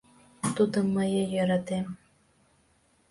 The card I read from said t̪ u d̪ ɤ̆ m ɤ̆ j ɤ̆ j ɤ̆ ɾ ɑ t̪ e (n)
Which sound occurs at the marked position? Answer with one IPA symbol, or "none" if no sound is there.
m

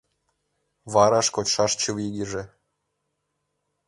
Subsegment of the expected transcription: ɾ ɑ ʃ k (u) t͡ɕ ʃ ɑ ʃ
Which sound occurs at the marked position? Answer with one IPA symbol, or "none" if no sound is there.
o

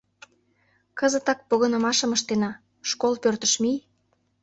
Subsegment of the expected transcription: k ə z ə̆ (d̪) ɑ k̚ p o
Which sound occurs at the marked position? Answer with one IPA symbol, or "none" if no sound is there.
t̪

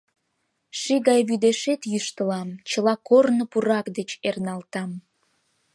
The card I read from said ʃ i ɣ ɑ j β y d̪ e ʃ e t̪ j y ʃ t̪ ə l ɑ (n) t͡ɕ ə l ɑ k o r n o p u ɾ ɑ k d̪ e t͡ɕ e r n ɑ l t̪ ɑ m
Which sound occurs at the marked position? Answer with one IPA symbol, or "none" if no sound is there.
m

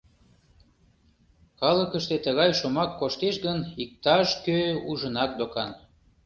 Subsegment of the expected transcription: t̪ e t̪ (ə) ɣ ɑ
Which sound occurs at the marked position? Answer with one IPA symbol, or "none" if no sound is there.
ə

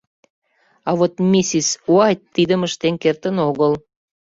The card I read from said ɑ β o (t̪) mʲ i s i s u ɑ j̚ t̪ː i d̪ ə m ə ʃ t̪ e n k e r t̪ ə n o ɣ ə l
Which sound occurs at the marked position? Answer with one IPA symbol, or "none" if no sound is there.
t̪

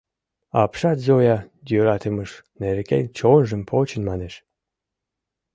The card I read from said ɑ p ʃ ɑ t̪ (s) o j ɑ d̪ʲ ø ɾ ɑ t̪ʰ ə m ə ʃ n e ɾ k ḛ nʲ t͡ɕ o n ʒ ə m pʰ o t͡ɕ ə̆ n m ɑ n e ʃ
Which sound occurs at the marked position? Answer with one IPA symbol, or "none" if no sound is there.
z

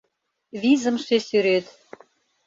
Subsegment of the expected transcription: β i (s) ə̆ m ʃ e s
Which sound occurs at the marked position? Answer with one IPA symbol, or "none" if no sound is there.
z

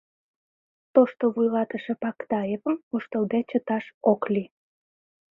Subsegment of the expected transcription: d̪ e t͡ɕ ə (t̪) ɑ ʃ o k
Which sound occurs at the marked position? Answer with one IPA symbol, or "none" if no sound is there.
t̪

